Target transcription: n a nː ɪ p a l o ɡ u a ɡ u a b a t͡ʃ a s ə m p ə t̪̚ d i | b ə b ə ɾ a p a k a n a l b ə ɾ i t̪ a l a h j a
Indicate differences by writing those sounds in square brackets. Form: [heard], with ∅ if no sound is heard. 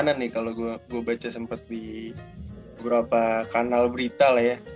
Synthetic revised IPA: n a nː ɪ [k] a l o ɡ u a ɡ u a b a t͡ʃ a s ə m p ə t̪̚ d i | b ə b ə ɾ a p a k a n a l b ə ɾ i t̪ a l a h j a